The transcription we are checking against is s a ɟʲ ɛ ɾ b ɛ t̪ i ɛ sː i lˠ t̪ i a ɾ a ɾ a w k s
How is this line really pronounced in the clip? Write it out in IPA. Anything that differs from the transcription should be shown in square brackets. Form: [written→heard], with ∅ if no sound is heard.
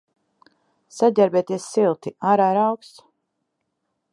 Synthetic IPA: s a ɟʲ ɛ ɾ b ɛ t̪ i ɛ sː i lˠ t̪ i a ɾ a ɾ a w k s

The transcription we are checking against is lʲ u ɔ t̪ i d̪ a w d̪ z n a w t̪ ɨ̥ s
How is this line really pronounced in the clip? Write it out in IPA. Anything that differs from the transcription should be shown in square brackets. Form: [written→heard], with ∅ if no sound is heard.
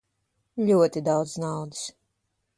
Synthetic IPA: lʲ u ɔ t̪ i d̪ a w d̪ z n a w [t̪→d̪] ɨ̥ s

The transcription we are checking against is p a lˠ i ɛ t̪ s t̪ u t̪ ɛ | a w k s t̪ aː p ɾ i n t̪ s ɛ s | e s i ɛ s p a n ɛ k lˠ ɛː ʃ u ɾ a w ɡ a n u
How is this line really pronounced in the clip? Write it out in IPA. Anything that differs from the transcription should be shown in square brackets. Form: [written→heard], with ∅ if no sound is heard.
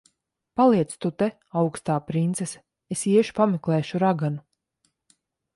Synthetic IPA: p a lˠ i ɛ t̪ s t̪ u t̪ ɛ | a w k s t̪ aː p ɾ i n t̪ s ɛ s | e s i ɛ [s→ʃ] p a [n→m] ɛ k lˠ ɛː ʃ u ɾ a [w→∅] ɡ a n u

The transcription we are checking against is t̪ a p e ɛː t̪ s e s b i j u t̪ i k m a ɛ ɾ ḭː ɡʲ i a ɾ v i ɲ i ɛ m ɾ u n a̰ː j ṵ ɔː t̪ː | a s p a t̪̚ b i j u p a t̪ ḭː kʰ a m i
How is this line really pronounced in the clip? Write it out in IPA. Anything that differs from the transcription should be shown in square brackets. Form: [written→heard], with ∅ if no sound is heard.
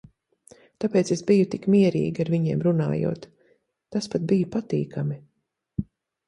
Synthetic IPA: t̪ a p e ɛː t̪ s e s b i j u t̪ i k m [a→i] ɛ ɾ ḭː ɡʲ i a ɾ v i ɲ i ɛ m ɾ u n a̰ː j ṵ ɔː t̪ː | a s p a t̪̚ b i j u p a t̪ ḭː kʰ a m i

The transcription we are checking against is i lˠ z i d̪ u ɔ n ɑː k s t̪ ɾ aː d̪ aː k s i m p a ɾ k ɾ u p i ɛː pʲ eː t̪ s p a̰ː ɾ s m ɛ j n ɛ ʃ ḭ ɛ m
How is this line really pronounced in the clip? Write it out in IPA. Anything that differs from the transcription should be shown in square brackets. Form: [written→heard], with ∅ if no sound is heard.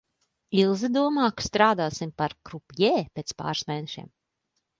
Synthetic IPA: i lˠ z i d̪ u ɔ [n→m] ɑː k s t̪ ɾ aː d̪ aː [k→∅] s i m p a ɾ k ɾ u p [i→j] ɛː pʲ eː t̪ s p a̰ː ɾ s m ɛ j n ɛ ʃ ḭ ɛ m

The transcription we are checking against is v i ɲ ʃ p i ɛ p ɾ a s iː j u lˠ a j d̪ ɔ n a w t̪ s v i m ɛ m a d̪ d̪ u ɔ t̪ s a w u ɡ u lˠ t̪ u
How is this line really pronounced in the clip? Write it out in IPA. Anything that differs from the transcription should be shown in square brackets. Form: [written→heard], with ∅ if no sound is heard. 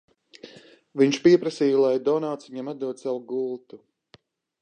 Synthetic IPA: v i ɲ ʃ p i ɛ p ɾ a s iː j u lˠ a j d̪ ɔ n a w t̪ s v i [m→ɲ] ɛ m a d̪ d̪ u ɔ t̪ s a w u ɡ u lˠ t̪ u

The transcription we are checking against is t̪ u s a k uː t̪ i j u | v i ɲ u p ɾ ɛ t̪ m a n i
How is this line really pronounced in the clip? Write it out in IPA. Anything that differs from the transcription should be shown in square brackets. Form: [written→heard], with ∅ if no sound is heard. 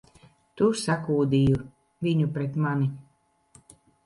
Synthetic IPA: t̪ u s a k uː [t̪→d̪] i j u | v i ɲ u p ɾ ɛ t̪ m a n i

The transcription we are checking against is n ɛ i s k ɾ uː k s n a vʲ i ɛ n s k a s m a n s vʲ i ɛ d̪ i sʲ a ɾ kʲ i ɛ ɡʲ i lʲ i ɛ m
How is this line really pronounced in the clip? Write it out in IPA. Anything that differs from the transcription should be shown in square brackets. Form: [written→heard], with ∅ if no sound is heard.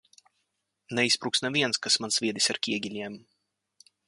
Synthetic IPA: n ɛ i s [k→p] ɾ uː k s n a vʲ i ɛ n s k a s m a n s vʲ i ɛ d̪ i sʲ a ɾ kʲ i ɛ ɡʲ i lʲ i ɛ m

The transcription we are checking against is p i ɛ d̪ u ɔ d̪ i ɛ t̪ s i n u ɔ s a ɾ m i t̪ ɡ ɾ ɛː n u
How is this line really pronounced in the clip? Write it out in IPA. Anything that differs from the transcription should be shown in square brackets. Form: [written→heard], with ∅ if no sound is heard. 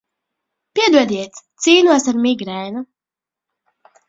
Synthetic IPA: p i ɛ d̪ u ɔ d̪ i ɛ t̪ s [i→iː] n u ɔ s a ɾ m i [t̪→∅] ɡ ɾ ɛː n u

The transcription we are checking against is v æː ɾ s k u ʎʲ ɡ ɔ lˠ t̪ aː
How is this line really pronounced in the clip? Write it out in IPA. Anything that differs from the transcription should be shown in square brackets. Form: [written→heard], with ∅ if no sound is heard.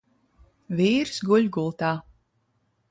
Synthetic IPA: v [æː→iː] ɾ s [k→ɡ] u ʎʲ ɡ [ɔ→u] lˠ t̪ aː

